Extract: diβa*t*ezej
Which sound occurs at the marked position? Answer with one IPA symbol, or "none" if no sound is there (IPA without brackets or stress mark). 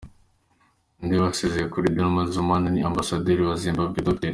s